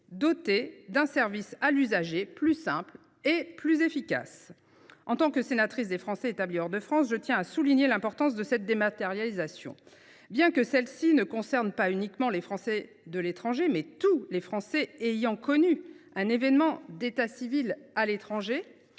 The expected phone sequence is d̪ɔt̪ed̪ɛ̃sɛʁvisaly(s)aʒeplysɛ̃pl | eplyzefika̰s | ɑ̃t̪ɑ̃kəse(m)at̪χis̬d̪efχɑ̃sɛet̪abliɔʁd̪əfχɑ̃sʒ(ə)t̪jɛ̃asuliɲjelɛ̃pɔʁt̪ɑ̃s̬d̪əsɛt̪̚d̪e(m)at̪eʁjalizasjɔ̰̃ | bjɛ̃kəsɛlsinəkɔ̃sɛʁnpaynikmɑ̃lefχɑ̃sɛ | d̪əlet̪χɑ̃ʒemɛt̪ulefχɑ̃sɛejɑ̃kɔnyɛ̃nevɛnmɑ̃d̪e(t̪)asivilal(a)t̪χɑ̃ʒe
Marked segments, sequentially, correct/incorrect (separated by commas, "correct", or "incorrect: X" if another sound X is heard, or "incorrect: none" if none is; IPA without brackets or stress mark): incorrect: z, incorrect: n, correct, correct, correct, incorrect: e